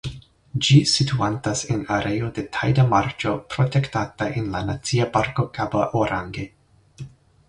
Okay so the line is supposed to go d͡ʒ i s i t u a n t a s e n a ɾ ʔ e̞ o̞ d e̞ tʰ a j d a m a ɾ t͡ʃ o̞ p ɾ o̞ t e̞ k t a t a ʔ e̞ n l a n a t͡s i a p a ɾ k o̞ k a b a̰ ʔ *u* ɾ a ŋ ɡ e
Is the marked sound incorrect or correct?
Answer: incorrect: o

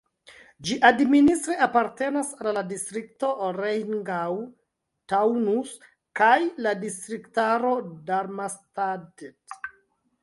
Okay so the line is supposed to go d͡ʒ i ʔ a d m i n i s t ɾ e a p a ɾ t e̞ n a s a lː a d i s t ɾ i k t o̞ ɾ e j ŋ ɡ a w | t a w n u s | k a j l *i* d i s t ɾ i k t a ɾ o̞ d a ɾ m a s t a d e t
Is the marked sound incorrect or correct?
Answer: incorrect: a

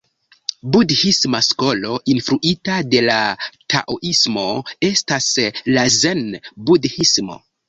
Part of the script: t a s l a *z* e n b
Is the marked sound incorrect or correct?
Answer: correct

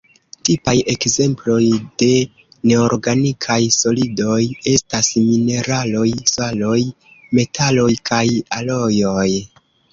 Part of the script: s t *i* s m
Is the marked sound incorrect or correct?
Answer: incorrect: a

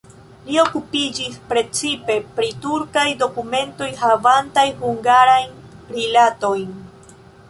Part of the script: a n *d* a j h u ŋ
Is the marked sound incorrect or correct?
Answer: incorrect: t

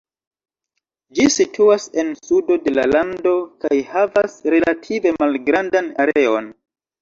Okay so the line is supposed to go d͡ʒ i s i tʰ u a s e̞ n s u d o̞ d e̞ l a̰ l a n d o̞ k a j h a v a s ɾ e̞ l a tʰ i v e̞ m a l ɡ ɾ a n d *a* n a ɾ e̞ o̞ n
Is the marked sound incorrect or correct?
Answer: correct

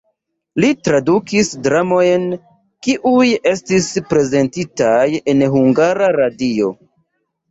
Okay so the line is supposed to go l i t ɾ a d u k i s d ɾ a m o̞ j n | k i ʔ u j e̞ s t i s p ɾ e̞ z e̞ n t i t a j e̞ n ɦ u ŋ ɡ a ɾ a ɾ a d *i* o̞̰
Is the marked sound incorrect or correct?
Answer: correct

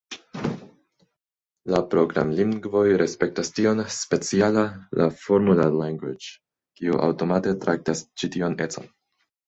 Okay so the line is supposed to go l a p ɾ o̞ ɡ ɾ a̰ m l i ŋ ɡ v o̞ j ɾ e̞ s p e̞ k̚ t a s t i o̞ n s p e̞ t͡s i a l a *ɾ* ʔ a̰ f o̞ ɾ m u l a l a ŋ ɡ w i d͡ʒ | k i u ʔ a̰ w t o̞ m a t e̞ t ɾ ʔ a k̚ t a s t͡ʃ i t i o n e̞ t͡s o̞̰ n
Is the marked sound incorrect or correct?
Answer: incorrect: l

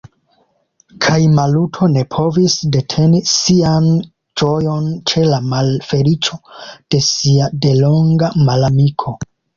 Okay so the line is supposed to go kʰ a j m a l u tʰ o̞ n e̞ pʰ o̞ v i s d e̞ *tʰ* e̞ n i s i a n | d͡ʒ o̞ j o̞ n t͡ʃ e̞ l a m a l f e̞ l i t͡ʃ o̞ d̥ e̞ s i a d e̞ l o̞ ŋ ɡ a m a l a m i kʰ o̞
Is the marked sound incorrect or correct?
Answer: correct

